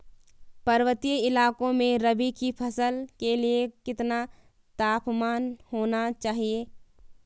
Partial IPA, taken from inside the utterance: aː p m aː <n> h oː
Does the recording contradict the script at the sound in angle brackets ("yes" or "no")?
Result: no